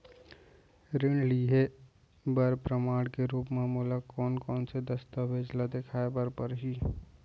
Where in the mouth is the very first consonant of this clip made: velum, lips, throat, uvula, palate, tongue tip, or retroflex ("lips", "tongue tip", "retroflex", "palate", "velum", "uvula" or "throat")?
tongue tip